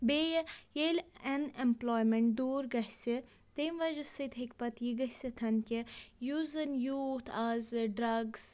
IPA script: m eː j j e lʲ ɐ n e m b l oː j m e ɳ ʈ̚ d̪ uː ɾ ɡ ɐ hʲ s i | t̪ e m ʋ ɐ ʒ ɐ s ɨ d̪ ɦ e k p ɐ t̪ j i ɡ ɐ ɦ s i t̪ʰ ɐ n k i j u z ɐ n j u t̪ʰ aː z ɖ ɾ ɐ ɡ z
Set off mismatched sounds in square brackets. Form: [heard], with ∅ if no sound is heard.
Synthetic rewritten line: [b] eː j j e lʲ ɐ n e m [p] l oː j m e ɳ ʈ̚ d̪ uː ɾ ɡ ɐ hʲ s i | t̪ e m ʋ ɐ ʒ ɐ s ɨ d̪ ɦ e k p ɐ t̪ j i ɡ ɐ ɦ s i t̪ʰ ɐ n k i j u z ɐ n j u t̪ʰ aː z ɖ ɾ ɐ ɡ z